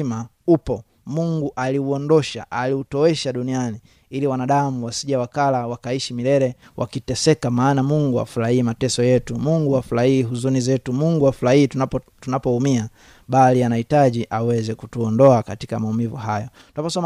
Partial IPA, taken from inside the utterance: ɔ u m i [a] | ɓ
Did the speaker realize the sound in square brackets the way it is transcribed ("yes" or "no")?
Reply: yes